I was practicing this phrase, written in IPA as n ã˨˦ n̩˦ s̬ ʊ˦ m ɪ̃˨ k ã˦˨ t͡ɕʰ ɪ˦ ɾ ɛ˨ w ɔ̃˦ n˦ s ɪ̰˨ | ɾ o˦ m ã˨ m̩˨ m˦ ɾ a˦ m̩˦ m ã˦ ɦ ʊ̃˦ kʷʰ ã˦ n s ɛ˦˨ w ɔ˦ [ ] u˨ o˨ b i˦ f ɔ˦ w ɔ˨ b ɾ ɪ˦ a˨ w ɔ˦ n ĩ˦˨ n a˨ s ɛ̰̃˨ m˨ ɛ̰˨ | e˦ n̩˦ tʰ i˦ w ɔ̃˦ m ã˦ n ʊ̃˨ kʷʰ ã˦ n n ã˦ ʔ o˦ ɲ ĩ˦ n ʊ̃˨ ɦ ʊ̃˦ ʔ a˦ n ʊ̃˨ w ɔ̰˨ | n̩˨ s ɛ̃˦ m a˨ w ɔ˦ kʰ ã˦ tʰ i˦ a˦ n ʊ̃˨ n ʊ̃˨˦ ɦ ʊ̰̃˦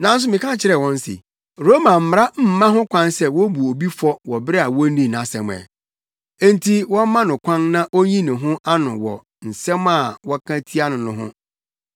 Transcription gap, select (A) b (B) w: A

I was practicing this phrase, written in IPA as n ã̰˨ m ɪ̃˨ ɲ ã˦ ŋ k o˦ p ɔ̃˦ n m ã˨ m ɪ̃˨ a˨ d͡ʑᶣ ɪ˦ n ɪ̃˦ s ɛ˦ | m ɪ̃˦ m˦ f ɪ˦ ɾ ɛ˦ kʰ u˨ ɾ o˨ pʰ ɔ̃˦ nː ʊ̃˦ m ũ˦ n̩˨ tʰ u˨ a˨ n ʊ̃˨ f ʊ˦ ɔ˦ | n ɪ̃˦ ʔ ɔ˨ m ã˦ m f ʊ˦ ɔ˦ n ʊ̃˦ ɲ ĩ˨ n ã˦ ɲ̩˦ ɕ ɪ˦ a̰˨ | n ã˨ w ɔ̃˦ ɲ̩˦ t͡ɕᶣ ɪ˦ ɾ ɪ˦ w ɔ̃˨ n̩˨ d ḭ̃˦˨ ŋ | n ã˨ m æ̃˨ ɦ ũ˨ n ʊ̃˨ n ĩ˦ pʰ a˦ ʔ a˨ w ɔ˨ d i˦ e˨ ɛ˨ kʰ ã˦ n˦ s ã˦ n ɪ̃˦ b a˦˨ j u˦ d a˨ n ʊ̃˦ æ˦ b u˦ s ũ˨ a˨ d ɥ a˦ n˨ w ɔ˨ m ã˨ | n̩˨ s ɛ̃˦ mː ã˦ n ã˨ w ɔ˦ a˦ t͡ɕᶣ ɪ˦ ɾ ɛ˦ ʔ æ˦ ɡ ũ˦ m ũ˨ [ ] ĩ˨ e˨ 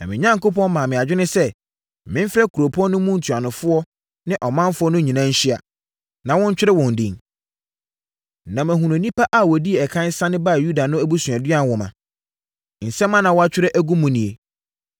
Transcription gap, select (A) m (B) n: B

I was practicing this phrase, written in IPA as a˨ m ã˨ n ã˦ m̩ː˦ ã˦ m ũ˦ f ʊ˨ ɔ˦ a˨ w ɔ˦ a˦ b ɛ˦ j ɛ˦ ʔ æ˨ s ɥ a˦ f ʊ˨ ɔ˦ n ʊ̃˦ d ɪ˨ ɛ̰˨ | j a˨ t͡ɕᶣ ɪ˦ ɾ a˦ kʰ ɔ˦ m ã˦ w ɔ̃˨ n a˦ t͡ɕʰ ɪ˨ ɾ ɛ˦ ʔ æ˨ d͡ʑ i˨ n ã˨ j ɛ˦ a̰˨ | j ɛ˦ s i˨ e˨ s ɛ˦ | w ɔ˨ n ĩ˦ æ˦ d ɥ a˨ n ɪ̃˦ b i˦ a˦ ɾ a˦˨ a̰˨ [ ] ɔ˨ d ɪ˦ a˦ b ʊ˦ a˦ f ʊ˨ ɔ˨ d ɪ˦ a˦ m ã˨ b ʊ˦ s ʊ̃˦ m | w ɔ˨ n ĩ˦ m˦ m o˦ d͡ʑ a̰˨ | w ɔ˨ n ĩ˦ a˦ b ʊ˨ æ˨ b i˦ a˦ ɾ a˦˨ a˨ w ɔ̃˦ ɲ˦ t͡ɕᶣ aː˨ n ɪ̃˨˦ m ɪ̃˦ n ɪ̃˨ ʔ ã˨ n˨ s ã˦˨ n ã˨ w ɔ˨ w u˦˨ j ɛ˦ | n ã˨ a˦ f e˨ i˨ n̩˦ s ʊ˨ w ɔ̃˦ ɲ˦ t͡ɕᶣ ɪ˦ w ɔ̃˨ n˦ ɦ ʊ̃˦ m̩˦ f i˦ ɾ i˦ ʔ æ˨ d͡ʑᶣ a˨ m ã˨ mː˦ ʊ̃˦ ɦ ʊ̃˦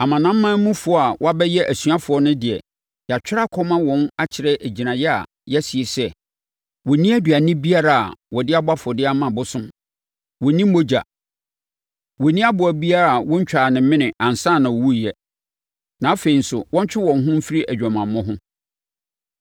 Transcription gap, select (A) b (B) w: B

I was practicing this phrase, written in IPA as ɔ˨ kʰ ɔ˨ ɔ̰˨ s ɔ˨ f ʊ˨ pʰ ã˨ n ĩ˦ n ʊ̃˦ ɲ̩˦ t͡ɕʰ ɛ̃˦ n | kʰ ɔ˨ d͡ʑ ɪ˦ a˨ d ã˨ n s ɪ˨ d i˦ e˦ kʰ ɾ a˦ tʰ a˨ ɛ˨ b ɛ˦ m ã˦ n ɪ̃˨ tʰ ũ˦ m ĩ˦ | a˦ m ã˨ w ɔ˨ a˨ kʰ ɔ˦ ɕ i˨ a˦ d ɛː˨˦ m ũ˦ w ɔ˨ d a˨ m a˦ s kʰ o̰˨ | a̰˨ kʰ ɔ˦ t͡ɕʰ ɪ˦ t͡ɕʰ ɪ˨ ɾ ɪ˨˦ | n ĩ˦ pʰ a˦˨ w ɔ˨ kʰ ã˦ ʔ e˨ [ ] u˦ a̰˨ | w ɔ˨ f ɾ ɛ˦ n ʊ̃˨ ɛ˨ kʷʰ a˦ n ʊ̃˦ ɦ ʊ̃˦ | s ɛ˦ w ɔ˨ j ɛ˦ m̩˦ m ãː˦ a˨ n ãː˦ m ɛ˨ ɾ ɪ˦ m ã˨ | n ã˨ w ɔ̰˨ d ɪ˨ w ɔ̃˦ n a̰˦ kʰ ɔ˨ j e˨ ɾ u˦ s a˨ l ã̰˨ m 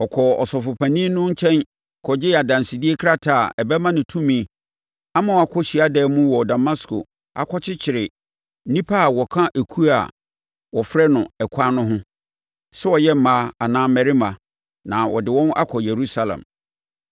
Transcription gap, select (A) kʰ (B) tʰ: A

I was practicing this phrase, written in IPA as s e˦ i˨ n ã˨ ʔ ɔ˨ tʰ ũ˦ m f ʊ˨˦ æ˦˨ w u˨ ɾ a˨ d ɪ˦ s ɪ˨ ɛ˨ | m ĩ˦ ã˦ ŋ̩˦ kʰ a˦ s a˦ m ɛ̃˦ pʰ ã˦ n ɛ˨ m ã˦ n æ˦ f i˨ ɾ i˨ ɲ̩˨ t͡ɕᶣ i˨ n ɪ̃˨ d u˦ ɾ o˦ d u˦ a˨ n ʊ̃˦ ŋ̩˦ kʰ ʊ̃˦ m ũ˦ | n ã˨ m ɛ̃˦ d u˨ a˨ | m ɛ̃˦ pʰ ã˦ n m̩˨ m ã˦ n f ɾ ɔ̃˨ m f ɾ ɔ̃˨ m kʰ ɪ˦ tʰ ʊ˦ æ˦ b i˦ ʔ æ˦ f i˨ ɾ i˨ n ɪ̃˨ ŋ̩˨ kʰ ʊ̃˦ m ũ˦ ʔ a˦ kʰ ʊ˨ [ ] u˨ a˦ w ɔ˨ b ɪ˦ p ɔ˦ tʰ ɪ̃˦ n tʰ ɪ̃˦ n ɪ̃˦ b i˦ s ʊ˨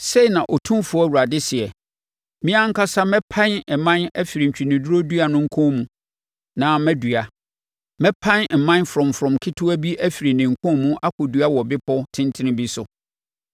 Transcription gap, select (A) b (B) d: B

